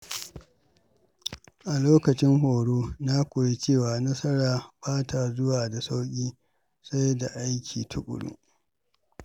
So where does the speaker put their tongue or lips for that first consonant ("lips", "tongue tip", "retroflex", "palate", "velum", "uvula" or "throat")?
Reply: throat